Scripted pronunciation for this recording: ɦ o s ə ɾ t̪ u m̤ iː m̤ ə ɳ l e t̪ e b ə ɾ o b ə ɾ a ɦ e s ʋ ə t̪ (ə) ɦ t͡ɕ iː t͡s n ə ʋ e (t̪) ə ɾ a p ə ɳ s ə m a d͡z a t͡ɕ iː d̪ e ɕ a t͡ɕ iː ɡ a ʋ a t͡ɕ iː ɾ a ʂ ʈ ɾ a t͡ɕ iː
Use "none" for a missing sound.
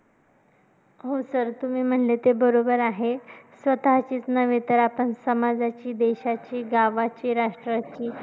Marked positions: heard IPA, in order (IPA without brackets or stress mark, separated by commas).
a, t̪